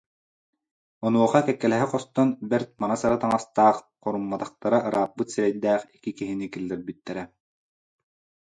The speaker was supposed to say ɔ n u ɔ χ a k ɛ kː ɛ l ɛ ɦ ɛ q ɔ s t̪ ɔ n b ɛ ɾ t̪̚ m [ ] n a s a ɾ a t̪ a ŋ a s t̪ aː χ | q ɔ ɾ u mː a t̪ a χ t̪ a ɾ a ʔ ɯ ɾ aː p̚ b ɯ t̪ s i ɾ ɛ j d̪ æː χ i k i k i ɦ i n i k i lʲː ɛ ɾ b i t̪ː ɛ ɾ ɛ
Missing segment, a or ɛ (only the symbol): a